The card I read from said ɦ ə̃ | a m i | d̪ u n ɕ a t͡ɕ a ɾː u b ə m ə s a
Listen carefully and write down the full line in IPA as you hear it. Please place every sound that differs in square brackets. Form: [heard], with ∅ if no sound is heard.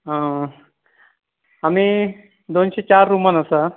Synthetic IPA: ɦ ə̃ | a m i | d̪ [o] n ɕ [e] t͡ɕ a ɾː u [m] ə [n] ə s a